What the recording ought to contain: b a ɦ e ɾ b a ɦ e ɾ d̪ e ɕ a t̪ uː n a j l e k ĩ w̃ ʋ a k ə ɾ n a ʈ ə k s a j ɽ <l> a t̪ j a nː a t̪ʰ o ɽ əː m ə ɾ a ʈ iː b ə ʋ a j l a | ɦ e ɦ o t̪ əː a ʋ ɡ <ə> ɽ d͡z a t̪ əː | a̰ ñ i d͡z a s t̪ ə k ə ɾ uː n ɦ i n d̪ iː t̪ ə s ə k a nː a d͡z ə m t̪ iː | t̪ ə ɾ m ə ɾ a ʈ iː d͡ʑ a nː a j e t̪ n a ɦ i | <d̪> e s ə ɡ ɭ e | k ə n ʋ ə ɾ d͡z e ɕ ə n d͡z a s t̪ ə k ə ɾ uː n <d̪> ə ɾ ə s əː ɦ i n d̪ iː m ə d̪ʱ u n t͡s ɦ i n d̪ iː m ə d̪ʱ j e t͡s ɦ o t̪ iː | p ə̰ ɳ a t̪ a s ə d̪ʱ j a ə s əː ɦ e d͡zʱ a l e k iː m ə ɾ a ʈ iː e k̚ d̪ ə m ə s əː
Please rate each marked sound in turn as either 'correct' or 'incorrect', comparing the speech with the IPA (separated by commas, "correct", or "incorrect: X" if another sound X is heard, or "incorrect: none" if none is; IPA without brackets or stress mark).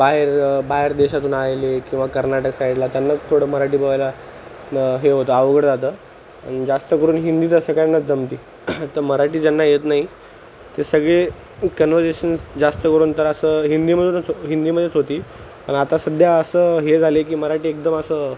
correct, correct, incorrect: t̪, incorrect: t̪